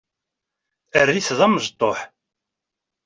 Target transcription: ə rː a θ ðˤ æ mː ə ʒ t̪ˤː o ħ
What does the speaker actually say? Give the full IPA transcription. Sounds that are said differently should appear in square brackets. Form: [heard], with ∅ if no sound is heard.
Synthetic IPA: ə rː [i] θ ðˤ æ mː ə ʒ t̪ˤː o ħ